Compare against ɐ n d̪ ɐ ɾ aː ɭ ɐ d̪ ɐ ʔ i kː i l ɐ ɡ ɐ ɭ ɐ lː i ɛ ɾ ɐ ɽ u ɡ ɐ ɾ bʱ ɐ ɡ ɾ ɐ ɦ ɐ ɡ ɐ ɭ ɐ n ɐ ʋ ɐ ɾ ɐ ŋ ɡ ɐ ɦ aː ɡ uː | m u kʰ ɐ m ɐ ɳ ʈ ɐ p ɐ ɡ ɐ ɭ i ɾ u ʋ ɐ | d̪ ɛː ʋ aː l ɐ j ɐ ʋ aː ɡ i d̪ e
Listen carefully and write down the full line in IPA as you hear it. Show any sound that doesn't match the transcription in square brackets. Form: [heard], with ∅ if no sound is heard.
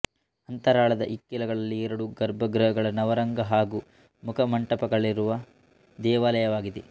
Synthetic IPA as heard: ɐ n [t̪] ɐ ɾ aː ɭ ɐ d̪ ɐ ʔ i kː i l ɐ ɡ ɐ ɭ ɐ lː i ɛ ɾ ɐ ɽ u ɡ ɐ ɾ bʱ ɐ ɡ ɾ ɐ ɦ ɐ ɡ ɐ ɭ ɐ n ɐ ʋ ɐ ɾ ɐ ŋ ɡ ɐ ɦ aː ɡ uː | m u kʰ ɐ m ɐ ɳ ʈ ɐ p ɐ ɡ ɐ ɭ i ɾ u ʋ ɐ | d̪ ɛː ʋ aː l ɐ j ɐ ʋ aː ɡ i d̪ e